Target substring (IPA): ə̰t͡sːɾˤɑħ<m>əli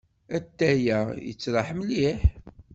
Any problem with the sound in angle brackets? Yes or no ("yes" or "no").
no